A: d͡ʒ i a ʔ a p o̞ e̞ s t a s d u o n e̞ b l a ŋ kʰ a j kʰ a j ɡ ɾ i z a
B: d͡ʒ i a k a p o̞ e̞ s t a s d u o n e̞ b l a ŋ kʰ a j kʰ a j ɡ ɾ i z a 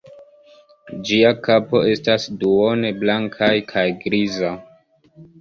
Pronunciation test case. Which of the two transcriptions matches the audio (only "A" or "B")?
B